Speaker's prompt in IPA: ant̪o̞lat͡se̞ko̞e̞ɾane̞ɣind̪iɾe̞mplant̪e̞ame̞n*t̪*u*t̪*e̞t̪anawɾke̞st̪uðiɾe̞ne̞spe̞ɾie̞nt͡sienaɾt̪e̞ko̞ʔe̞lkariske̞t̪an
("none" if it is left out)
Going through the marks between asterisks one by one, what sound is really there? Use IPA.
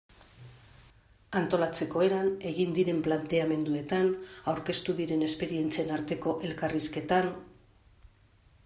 d̪, none

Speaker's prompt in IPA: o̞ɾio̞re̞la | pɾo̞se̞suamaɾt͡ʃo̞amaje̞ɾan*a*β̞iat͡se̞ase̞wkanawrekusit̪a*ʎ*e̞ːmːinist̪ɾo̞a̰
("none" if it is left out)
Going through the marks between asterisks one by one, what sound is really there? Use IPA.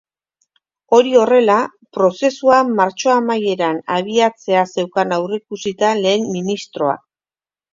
a, l

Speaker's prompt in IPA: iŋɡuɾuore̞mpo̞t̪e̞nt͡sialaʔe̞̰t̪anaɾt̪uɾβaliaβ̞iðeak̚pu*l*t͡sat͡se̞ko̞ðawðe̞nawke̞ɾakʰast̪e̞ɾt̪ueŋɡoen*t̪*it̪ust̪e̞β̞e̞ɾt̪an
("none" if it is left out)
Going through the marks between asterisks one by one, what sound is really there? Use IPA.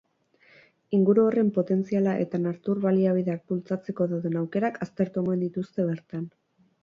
l, d̪

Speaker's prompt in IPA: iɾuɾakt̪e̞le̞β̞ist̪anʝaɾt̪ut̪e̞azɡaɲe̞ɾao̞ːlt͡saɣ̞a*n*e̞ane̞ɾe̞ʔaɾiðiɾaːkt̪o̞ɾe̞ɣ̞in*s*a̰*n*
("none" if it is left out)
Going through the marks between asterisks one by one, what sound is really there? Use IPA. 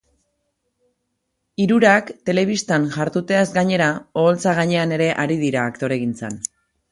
ɲ, t͡s, n

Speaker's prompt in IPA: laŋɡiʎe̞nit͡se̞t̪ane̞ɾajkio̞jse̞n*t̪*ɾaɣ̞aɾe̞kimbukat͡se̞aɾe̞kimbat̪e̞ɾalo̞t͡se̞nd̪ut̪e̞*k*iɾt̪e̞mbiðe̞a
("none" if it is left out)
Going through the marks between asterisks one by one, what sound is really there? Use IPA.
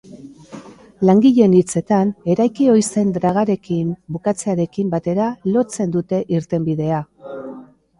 d̪, ʔ

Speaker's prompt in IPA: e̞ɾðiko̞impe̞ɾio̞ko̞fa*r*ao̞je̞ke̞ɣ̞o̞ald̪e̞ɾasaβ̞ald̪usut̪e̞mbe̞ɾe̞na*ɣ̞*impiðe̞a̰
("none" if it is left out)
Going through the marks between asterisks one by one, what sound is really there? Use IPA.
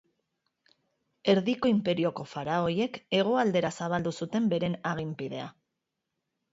ɾ, ɣ̞

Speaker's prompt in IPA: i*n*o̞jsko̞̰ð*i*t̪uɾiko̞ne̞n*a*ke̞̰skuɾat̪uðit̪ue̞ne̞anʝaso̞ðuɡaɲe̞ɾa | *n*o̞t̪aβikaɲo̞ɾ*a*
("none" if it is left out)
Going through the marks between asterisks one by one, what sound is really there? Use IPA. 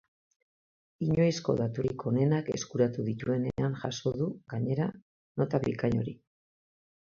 ɲ, a, a, n, i

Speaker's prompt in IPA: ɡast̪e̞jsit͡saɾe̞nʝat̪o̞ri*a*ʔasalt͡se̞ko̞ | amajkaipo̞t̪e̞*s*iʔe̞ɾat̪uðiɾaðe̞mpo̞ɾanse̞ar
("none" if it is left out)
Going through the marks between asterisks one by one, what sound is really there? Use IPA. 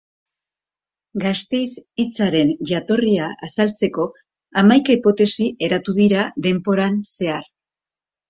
a, s

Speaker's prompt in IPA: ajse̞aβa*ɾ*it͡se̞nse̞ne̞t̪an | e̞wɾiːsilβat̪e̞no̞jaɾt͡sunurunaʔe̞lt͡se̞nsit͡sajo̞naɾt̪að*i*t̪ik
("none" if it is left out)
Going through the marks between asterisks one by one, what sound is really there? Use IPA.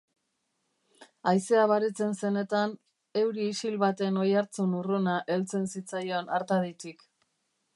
ɾ, i

